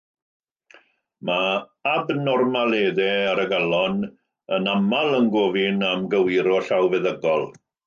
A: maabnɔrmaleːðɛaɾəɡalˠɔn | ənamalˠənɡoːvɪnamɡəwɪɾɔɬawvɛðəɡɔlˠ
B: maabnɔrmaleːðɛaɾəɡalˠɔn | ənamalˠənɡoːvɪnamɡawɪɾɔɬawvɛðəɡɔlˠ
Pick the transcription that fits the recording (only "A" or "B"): A